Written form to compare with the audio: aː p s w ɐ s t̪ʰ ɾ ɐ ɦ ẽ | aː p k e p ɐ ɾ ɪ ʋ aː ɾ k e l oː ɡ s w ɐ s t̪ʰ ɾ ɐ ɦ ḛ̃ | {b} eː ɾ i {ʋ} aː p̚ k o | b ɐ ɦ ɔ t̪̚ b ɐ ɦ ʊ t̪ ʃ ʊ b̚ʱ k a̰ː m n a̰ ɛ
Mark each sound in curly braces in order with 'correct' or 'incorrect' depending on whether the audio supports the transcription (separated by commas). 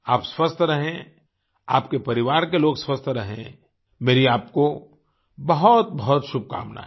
incorrect, incorrect